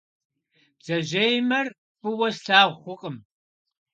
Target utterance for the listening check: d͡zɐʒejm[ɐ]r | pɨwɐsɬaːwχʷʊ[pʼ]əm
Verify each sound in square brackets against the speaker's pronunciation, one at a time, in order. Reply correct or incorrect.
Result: correct, incorrect

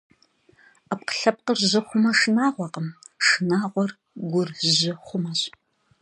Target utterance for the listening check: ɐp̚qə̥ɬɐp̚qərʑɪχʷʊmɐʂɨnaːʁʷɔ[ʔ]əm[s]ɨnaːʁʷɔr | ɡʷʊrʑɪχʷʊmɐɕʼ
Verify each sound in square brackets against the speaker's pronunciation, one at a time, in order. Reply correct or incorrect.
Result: incorrect, incorrect

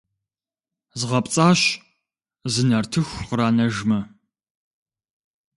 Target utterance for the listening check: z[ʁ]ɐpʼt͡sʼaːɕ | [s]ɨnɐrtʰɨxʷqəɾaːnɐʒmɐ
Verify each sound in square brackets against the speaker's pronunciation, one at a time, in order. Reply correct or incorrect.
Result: correct, incorrect

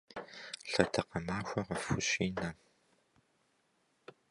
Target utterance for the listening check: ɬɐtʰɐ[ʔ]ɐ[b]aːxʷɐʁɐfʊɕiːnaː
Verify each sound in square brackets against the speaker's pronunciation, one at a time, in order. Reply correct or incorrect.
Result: incorrect, incorrect

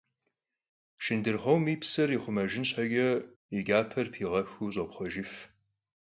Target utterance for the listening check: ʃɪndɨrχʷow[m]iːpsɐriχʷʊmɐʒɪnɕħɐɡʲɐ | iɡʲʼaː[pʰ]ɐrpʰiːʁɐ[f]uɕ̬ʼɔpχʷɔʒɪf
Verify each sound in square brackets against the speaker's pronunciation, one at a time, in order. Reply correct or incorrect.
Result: correct, correct, incorrect

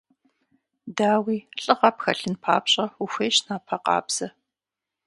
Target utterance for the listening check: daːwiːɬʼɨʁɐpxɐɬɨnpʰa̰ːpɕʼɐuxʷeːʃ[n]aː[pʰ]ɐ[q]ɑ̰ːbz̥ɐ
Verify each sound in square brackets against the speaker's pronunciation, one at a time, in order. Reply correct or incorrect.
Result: correct, correct, correct

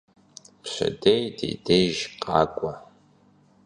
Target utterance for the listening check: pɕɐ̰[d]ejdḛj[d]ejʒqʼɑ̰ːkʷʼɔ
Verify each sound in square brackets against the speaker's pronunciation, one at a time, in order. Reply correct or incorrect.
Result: correct, correct

